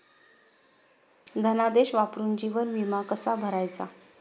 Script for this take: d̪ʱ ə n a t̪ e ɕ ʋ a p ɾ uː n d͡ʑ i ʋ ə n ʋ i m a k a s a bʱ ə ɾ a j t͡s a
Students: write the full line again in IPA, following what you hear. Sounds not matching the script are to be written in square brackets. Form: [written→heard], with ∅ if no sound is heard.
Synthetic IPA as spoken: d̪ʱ ə n a [t̪→d̪] e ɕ ʋ a p ɾ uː n d͡ʑ i ʋ ə n ʋ i m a k [a→ə] s a bʱ ə ɾ a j t͡s a

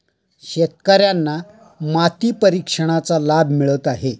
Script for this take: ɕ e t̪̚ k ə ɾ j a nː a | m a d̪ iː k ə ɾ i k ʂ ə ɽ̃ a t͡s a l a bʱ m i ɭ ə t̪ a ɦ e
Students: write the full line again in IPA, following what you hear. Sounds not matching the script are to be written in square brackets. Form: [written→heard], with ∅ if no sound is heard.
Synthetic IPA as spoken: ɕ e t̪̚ k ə ɾ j a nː a | m a [d̪→t̪] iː [k→p] ə ɾ i k ʂ ə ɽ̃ a t͡s a l a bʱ m i ɭ ə t̪ a ɦ e

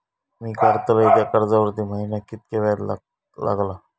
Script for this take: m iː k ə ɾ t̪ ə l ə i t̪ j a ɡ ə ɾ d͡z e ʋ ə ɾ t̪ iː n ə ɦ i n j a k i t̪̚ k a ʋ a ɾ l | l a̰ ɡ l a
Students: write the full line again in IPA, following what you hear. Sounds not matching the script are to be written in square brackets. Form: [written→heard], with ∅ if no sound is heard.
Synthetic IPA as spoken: m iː k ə ɾ t̪ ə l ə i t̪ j a [ɡ→k] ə ɾ d͡z [e→a] ʋ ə ɾ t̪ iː [n→m] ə ɦ i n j a k i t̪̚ k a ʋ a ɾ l | l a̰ ɡ l a

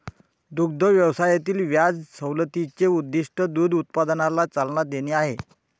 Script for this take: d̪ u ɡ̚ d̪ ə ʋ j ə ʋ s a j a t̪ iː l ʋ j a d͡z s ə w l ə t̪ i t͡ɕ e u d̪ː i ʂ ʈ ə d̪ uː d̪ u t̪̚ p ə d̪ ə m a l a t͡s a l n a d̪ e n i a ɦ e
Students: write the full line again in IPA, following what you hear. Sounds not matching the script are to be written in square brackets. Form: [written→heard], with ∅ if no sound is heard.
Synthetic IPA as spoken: d̪ u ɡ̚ d̪ ə ʋ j ə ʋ s a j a t̪ iː l ʋ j a d͡z s ə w l ə t̪ i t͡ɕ e u d̪ː i ʂ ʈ ə d̪ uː d̪ u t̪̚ p [ə→a] d̪ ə [m→n] a l a t͡s a l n a d̪ e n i a ɦ e

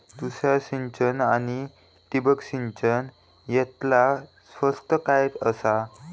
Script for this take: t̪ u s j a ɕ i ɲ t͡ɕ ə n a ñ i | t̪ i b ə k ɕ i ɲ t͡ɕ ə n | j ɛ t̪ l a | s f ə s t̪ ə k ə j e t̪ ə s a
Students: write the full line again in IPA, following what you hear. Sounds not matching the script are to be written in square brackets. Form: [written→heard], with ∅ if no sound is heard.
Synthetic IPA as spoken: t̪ u s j a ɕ i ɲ t͡ɕ ə n a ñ i | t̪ i b ə k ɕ i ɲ t͡ɕ ə n | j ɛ t̪ l a | s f ə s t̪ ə k [ə→a] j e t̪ ə s a

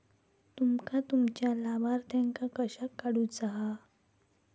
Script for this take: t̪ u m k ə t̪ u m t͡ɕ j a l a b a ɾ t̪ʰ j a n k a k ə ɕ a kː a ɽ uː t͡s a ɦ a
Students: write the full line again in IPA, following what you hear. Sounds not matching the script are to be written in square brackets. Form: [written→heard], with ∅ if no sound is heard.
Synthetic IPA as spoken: t̪ u m k [ə→a] t̪ u m t͡ɕ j a l a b a ɾ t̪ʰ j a [n→ŋ] k a k ə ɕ a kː a ɽ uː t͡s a ɦ a

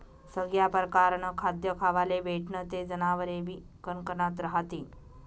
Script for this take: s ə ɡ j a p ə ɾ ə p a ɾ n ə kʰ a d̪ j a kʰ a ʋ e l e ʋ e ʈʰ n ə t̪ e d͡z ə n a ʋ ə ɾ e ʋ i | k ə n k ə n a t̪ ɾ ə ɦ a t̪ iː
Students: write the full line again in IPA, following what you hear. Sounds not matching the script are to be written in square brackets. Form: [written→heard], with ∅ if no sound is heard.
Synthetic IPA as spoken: s ə ɡ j a p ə ɾ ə [p→k] a ɾ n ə kʰ a d̪ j [a→ə] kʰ a ʋ [e→a] l e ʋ e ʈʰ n ə t̪ e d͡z ə n a ʋ ə ɾ e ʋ i | k ə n k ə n a t̪ ɾ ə ɦ a t̪ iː

